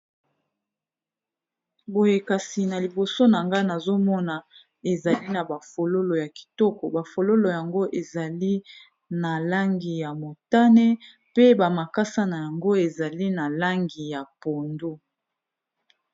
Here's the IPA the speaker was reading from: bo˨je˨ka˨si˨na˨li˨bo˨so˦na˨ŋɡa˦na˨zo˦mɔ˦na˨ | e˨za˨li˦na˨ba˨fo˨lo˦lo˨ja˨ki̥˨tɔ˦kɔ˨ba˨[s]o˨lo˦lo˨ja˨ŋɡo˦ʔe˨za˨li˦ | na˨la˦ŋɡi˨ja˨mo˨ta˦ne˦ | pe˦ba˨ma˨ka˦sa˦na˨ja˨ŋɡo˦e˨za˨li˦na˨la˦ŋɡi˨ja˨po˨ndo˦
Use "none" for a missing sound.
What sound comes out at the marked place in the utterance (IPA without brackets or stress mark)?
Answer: f